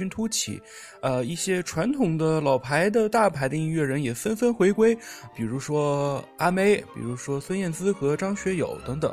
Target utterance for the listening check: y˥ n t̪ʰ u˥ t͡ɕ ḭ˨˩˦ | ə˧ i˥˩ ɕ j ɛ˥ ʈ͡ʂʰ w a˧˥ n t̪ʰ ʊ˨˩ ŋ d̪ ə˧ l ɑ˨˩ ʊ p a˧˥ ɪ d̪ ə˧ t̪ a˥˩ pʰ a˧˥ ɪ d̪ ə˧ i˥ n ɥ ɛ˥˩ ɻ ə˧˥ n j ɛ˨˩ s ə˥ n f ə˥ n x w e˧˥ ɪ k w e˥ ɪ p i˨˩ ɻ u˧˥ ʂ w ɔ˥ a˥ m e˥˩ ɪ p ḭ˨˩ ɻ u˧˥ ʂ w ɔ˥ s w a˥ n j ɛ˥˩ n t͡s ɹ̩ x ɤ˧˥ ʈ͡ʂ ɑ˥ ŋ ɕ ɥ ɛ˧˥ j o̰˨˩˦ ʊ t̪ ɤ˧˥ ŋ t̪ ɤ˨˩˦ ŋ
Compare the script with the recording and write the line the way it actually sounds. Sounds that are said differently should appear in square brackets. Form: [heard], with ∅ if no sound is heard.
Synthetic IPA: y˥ n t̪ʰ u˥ [t͡ɕʰ] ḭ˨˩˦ | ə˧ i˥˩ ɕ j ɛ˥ ʈ͡ʂʰ w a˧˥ n t̪ʰ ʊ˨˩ ŋ d̪ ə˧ l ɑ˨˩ ʊ [pʰ] a˧˥ ɪ d̪ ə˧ t̪ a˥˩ pʰ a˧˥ ɪ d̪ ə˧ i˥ n ɥ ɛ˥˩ ɻ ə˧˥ n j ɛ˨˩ [f] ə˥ n f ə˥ n x w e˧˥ ɪ k w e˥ ɪ p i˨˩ ɻ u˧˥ ʂ w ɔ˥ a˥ m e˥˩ ɪ p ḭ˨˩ ɻ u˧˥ ʂ w ɔ˥ s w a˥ n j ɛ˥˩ n t͡s ɹ̩ x ɤ˧˥ ʈ͡ʂ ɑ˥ ŋ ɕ ɥ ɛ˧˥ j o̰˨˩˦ ʊ t̪ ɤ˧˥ ŋ t̪ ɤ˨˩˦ ŋ